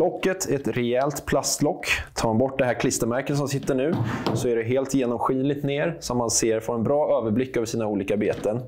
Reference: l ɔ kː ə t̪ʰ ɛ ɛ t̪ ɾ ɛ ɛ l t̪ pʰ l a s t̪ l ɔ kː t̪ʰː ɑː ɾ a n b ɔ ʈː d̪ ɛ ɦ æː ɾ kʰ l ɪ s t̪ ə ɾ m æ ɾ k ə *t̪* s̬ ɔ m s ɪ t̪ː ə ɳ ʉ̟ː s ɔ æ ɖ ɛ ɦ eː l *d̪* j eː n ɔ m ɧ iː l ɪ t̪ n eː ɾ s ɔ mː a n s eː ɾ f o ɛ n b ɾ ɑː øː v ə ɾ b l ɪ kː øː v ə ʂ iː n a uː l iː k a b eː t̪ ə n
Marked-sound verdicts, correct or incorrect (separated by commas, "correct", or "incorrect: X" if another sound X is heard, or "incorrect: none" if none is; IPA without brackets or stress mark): correct, incorrect: t̪